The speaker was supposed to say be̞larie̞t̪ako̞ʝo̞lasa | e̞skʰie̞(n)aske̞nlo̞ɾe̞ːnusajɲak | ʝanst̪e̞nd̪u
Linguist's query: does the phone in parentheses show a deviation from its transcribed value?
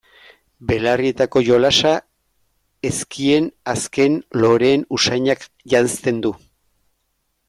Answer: no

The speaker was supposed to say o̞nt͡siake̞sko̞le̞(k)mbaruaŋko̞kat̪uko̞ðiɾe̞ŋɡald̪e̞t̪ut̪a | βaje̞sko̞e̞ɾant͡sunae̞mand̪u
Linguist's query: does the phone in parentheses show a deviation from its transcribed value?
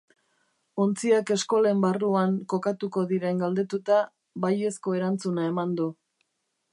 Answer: yes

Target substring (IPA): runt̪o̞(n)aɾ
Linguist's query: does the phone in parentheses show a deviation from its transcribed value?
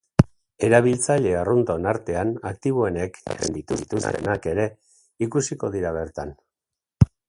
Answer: no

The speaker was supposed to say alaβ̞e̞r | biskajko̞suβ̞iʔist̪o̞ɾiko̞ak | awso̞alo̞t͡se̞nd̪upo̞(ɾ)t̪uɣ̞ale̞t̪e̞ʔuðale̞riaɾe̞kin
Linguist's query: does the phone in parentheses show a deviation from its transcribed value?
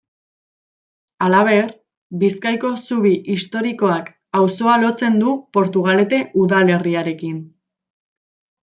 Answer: no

